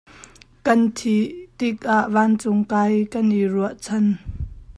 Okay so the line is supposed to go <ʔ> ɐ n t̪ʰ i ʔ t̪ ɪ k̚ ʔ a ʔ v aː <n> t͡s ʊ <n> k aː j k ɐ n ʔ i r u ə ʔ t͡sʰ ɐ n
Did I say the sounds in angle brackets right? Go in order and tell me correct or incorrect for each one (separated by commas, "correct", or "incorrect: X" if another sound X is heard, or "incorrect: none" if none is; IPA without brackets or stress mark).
incorrect: k, correct, incorrect: ŋ